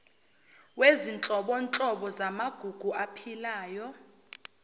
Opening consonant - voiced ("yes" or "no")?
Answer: yes